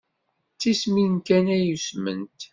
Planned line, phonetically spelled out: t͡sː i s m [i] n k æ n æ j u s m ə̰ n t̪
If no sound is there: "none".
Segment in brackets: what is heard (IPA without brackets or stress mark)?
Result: i